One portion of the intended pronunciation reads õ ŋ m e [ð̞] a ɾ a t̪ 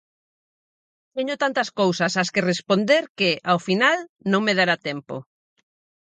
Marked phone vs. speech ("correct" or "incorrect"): correct